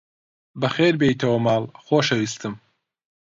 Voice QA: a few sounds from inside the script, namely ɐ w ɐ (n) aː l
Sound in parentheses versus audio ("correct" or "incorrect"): incorrect